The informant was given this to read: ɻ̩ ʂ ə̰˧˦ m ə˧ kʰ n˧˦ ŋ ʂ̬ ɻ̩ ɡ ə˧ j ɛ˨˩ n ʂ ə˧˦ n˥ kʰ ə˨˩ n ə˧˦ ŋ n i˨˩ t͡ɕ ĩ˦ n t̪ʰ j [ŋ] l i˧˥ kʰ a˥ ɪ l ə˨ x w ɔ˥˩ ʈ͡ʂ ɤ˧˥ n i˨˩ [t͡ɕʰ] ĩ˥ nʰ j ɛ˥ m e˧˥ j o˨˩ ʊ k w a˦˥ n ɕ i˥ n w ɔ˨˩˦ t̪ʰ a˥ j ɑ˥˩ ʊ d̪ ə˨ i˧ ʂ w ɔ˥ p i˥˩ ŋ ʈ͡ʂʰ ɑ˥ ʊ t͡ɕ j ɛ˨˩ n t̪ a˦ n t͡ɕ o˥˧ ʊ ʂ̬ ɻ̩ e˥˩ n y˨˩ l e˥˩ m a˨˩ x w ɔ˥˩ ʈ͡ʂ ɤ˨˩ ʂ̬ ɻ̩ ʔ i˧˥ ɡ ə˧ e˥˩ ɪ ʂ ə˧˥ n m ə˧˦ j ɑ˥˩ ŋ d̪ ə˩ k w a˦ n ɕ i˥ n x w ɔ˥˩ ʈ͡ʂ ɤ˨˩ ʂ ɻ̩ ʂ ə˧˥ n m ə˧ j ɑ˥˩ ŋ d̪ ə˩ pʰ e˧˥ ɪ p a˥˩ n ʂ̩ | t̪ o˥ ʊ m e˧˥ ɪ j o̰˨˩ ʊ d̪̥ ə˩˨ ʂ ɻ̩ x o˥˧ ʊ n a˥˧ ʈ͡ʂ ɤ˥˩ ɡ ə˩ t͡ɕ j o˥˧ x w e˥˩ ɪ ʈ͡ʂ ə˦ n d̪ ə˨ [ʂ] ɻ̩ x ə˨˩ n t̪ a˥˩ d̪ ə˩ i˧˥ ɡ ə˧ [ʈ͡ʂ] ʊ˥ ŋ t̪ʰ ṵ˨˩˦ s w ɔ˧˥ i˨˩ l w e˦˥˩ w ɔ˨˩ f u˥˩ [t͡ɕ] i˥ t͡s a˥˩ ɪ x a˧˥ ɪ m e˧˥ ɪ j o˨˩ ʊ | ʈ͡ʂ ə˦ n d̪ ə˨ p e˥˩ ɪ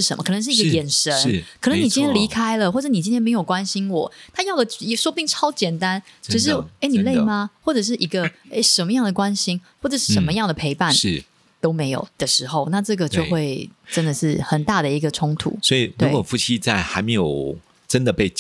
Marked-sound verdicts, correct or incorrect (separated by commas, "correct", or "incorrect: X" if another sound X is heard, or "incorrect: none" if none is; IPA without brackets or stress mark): incorrect: n, incorrect: t͡ɕ, correct, incorrect: ʈ͡ʂʰ, incorrect: t͡ɕʰ